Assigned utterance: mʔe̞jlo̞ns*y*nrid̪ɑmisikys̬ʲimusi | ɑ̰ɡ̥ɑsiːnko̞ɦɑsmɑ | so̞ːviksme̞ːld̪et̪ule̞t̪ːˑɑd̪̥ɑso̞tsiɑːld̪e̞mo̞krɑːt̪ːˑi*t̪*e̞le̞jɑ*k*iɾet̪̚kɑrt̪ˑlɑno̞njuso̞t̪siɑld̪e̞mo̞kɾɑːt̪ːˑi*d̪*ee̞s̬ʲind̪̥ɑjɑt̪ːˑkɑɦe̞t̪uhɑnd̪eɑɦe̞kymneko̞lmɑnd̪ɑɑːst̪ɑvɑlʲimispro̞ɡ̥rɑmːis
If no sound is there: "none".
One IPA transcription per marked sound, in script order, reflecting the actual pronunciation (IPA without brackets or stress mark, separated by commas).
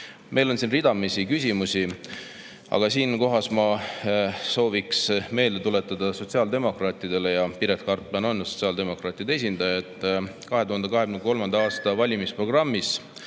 i, d̪, p, d̪